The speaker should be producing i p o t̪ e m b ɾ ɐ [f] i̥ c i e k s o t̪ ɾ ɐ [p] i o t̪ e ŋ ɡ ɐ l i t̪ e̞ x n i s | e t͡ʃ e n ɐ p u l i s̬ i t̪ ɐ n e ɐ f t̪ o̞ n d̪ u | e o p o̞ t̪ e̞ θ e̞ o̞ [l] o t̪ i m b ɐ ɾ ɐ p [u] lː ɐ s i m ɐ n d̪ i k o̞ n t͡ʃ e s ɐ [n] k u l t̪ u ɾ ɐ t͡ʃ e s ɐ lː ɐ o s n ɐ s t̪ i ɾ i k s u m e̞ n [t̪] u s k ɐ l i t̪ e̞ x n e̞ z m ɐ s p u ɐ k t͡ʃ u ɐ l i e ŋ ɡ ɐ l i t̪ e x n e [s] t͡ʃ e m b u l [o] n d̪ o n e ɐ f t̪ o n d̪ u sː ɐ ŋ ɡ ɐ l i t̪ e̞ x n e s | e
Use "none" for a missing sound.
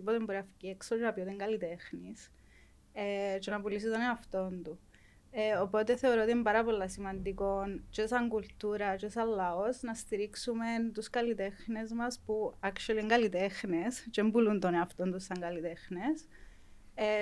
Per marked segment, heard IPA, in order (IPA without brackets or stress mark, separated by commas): f, p, ɾ, o, ŋ, t̪, s, u